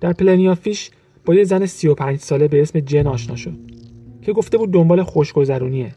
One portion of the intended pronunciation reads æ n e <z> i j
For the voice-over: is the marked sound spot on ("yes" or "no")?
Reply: no